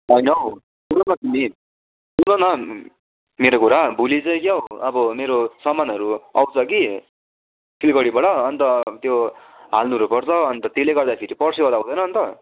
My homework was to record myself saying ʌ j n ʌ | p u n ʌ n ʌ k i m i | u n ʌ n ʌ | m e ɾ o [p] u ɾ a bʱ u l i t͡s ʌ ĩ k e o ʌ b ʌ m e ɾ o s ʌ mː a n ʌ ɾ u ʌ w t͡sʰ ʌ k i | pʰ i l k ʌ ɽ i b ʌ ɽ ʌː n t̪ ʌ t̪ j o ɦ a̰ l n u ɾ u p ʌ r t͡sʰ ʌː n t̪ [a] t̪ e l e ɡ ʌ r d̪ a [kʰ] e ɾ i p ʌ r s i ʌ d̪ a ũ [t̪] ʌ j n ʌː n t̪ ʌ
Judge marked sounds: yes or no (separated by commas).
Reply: no, no, no, no